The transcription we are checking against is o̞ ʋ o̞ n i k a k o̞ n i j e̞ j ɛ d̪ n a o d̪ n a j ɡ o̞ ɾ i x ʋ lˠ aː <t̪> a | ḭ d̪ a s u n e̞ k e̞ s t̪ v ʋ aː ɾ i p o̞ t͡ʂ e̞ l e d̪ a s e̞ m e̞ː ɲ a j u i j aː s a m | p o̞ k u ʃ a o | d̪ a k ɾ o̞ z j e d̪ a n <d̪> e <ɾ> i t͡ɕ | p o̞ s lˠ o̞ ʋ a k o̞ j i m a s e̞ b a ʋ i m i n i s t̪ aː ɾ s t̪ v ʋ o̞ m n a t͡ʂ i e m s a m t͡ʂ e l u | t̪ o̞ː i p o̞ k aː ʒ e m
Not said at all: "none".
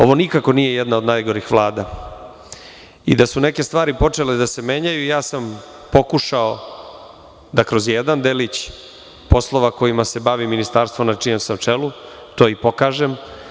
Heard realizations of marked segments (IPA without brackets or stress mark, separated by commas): d̪, d̪, l